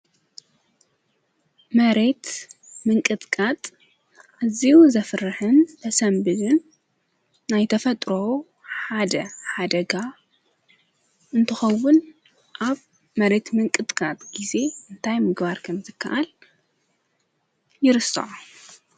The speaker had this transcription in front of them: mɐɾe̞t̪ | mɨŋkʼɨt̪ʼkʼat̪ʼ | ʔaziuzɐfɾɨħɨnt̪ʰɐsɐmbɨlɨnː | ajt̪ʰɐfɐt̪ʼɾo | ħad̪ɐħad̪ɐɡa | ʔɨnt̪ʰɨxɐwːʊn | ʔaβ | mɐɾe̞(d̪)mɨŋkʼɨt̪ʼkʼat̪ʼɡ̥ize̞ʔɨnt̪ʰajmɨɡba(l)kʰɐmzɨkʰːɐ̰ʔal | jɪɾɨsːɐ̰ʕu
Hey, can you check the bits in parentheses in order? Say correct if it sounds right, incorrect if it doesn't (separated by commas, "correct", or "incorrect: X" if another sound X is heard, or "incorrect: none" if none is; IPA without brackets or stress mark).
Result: incorrect: t̪, incorrect: ɾ